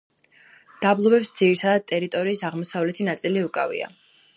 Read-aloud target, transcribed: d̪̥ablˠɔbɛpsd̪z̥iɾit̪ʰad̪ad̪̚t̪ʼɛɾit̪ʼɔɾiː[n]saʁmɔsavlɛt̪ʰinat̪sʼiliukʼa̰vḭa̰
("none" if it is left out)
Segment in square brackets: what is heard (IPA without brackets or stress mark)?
none